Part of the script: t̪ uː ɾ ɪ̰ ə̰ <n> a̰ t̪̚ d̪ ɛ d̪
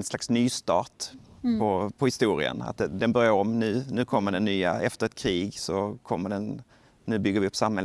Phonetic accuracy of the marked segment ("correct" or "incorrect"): correct